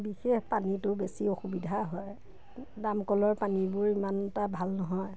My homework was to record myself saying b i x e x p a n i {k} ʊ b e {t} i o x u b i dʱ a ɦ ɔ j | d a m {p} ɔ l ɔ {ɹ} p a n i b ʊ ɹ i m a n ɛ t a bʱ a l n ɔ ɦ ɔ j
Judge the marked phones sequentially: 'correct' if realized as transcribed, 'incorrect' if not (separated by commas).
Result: incorrect, incorrect, incorrect, correct